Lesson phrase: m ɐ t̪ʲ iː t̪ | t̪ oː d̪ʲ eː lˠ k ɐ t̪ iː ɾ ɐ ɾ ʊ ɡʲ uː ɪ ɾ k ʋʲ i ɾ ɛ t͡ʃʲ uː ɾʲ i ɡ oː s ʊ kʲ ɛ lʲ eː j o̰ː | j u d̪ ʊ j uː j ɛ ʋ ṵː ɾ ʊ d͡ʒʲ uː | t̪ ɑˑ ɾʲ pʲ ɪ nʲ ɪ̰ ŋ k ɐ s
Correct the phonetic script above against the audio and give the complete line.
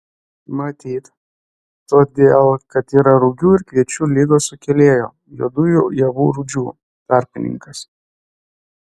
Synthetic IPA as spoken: m ɐ t̪ʲ iː t̪ | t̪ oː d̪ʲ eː lˠ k ɐ t̪ iː ɾ ɐ ɾ ʊ ɡʲ uː ɪ ɾ k ʋʲ i ɛ t͡ʃʲ uː lʲ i ɡ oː s ʊ kʲ ɛ lʲ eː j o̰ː | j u d̪ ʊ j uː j ɛ ʋ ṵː ɾ ʊ d͡ʒʲ uː | t̪ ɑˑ ɾʲ pʲ ɪ nʲ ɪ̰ ŋ k ɐ s